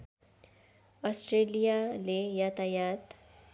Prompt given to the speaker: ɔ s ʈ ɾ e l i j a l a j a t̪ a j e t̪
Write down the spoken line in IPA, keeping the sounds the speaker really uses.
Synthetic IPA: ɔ s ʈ ɾ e l i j a l e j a t̪ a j a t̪